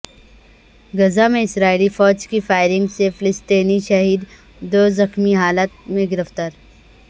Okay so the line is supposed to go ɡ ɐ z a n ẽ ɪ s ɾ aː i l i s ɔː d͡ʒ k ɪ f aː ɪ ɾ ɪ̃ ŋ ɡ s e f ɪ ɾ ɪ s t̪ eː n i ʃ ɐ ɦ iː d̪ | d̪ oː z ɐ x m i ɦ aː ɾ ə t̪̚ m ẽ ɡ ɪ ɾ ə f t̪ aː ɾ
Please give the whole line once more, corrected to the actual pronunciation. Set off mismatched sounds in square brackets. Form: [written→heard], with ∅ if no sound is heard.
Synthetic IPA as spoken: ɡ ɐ z a [n→m] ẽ ɪ s ɾ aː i l i [s→f] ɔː d͡ʒ k [ɪ→i] f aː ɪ ɾ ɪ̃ ŋ ɡ s e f ɪ [ɾ→l] ɪ s t̪ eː n i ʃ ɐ ɦ iː d̪ | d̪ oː z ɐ x m i ɦ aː [ɾ→l] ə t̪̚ m ẽ ɡ ɪ ɾ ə f t̪ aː ɾ